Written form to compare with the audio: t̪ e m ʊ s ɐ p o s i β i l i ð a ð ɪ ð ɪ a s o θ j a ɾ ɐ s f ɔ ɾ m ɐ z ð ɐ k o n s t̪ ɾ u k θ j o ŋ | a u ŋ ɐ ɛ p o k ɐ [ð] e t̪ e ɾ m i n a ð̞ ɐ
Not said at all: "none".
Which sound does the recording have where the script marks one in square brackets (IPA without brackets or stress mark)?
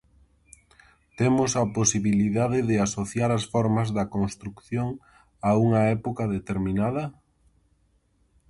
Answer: ð